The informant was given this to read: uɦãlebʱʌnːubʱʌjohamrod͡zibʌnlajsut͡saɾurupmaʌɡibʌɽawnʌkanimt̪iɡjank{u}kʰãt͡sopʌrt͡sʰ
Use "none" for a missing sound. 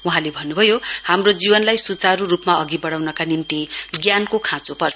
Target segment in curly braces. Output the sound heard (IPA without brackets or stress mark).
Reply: o